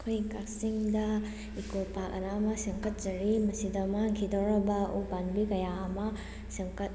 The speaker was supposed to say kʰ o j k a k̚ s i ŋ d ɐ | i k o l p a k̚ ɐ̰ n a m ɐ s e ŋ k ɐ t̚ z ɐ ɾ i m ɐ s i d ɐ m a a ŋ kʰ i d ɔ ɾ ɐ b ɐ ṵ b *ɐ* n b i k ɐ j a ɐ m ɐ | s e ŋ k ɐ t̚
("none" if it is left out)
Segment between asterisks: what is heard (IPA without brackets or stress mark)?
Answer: a